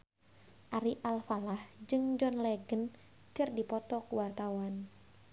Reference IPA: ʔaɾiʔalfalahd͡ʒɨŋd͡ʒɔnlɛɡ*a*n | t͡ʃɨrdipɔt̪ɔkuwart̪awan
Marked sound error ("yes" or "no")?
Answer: yes